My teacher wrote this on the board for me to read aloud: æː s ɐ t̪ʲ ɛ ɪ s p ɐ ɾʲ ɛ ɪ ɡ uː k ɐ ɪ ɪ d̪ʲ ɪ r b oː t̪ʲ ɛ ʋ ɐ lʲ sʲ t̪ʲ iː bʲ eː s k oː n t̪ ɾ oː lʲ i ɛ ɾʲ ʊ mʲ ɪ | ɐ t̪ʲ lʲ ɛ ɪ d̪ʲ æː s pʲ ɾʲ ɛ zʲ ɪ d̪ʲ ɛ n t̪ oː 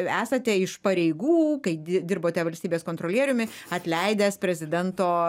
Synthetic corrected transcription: æː s ɐ t̪ʲ ɛ ɪ ʃ p ɐ ɾʲ ɛ ɪ ɡ uː k ɐ ɪ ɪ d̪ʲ ɪ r b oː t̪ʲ ɛ ʋ ɐ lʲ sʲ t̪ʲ iː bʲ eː s k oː n t̪ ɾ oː lʲ i ɛ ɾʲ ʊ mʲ ɪ | ɐ t̪ʲ lʲ ɛ ɪ d̪ʲ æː s pʲ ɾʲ ɛ zʲ ɪ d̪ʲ ɛ n t̪ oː